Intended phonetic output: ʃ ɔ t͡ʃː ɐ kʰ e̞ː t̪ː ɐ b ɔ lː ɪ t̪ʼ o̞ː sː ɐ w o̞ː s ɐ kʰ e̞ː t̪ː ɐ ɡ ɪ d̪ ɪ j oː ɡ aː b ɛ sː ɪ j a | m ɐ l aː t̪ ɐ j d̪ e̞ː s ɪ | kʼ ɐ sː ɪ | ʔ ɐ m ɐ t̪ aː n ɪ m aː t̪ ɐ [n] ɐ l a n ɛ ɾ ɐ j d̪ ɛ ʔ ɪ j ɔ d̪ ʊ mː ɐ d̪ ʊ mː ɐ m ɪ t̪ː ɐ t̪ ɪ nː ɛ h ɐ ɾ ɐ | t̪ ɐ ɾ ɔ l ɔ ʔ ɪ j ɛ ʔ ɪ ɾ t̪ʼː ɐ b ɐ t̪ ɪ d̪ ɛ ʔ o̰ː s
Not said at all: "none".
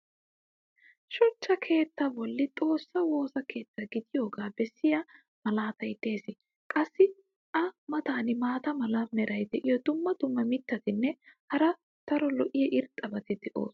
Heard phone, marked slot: m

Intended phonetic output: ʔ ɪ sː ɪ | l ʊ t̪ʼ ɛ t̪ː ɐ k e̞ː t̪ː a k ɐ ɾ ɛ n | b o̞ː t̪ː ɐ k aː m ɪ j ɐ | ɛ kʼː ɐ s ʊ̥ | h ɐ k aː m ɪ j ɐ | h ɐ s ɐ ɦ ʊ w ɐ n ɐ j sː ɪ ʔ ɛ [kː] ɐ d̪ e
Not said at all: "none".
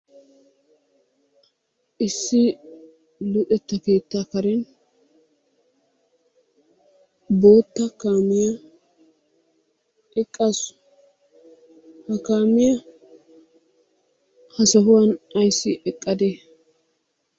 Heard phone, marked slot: kʼː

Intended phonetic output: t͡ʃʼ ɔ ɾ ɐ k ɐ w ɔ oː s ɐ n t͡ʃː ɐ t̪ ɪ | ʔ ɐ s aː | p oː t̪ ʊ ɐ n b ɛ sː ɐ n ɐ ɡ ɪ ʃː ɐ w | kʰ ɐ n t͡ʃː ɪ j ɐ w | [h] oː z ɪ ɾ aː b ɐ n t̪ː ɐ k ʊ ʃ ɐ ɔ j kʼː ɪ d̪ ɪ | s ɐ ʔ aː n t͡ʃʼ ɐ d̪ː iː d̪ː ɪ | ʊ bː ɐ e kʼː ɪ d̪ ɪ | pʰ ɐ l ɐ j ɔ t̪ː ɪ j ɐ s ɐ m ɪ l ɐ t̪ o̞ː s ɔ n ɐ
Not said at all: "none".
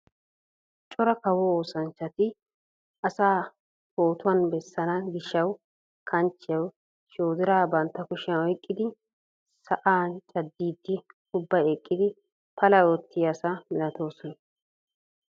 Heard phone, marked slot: ʃ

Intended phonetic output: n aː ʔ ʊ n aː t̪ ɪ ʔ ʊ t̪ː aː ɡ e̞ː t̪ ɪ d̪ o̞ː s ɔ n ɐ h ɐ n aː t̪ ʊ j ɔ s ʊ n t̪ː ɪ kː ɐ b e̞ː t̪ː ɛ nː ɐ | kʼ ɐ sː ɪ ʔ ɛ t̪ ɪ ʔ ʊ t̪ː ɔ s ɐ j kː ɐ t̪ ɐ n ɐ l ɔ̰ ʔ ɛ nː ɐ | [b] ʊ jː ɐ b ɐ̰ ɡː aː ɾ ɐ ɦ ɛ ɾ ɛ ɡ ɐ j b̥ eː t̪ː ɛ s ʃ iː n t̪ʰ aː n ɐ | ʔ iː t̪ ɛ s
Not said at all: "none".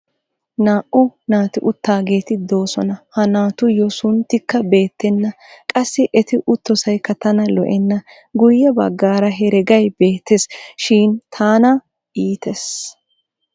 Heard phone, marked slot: ɡ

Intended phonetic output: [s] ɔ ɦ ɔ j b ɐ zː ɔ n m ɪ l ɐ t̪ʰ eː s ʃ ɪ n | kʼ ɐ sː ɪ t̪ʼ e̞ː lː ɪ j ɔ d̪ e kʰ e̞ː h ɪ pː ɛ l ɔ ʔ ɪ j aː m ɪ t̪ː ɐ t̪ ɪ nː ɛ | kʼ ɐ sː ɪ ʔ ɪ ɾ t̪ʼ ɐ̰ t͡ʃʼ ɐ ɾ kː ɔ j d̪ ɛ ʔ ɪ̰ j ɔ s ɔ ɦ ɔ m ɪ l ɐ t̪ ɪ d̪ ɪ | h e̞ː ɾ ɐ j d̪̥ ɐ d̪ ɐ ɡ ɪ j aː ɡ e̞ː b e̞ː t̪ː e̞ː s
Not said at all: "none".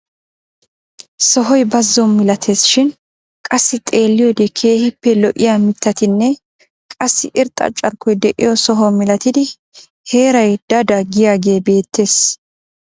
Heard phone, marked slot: s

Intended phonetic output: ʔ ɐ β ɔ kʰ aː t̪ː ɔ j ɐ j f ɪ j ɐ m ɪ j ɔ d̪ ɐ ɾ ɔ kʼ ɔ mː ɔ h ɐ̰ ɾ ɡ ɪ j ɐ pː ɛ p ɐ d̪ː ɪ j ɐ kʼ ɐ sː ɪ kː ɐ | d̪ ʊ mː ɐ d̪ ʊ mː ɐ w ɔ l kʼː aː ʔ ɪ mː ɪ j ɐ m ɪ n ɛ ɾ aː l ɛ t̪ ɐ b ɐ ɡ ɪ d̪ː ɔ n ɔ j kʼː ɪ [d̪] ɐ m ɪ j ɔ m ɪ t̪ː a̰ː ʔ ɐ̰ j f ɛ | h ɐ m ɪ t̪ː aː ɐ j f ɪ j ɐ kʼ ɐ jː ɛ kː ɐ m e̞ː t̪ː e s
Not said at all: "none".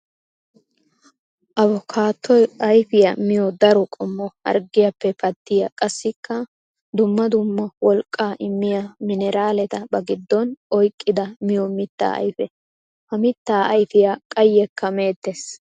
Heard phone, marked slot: d̪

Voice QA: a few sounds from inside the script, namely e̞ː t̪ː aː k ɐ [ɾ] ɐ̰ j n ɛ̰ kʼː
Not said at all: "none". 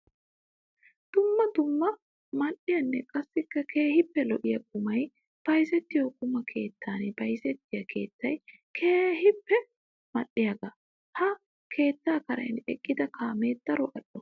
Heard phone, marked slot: ɾ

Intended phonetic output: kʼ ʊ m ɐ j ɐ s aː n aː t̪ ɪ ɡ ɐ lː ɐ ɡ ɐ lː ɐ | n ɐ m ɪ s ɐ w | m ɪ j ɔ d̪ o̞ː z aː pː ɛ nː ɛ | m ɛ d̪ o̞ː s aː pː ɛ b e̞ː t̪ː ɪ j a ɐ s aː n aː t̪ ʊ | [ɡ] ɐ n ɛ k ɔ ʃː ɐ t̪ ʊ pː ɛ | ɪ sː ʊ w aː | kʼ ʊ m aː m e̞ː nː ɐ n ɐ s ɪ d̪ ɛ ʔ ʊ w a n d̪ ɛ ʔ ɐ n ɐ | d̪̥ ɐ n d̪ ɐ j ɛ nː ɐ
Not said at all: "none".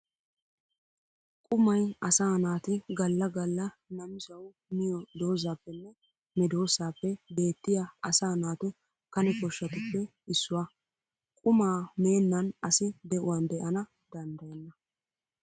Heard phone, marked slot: k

